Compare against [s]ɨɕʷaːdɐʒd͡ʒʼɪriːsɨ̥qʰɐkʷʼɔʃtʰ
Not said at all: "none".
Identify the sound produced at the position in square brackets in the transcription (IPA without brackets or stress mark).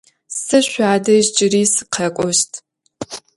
s